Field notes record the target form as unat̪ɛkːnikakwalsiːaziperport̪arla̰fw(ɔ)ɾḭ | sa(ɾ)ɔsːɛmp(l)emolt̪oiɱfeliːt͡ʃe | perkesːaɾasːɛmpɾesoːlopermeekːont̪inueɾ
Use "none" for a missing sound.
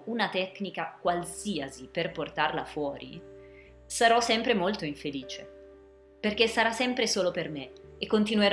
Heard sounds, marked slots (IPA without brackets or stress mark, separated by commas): ɔː, ɾ, ɾ